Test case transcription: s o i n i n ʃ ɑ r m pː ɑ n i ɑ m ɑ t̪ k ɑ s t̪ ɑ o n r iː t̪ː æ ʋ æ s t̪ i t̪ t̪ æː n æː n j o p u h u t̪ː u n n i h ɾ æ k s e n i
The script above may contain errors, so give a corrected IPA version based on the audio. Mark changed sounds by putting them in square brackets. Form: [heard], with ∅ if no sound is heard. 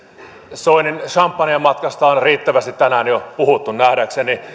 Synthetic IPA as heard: s o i n i n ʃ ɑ [∅] m pː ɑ n i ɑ m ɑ t̪ k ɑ s t̪ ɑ o n r iː t̪ː æ ʋ æ s t̪ i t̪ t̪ [æ] n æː n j o p u h u t̪ː u n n [æ] h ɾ æ k s e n i